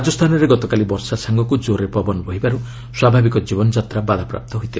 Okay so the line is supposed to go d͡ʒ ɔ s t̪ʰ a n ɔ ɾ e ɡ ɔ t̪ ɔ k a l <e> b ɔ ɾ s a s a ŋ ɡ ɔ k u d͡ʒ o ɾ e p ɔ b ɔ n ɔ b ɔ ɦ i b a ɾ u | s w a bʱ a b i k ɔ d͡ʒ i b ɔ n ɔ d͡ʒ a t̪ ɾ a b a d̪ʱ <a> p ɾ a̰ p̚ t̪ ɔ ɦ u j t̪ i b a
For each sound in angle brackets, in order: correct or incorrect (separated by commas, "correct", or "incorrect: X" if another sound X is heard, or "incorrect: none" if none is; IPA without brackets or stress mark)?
incorrect: i, correct